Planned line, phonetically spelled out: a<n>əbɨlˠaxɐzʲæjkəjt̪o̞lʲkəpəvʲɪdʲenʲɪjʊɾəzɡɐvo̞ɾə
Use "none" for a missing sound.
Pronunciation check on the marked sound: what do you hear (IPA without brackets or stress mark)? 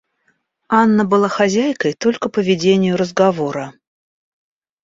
nː